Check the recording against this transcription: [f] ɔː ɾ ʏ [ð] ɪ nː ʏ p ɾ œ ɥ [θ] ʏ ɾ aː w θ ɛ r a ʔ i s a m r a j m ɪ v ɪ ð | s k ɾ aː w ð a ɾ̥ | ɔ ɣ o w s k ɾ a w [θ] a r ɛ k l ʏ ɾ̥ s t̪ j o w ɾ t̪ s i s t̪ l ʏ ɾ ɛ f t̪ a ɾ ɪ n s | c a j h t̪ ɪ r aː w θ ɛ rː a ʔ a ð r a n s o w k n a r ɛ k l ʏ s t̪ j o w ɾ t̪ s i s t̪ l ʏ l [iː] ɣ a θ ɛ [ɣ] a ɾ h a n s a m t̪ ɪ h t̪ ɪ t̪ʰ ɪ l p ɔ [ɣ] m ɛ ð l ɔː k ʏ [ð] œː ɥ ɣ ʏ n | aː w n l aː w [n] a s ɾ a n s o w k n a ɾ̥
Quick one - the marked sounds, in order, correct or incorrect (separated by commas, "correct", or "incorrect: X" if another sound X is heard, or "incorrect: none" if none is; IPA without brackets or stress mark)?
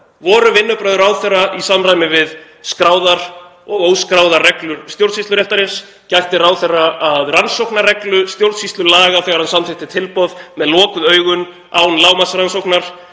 incorrect: v, incorrect: v, incorrect: ð, incorrect: ð, incorrect: aː, correct, incorrect: ð, correct, incorrect: m